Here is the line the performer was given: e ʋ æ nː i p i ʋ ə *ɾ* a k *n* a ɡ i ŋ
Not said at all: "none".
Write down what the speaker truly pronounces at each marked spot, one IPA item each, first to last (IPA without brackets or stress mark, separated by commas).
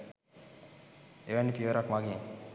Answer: ɾ, m